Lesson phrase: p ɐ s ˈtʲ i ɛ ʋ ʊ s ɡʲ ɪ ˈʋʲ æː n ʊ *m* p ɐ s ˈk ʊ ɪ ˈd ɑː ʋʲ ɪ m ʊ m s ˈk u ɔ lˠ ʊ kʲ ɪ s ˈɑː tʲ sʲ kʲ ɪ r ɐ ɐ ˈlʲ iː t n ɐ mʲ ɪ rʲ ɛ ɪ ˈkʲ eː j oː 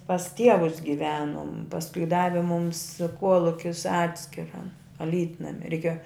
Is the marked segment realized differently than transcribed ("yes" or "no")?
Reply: no